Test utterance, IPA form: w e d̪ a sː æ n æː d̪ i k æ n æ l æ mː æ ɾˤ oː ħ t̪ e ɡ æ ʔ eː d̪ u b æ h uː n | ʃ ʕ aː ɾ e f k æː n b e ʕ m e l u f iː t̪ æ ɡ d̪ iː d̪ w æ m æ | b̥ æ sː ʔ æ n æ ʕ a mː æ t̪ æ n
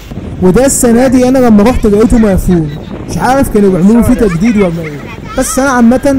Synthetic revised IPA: w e d̪ æ sː æ n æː d̪ i ʔ æ n æ l æ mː æ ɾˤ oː ħ t̪ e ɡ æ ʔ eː t̪ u m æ f uː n | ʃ ʕ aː ɾ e f k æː n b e ʕ m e l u f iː t̪ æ ɡ d̪ iː d̪ w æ m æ | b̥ æ sː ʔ æ n æ ʕ a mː æ t̪ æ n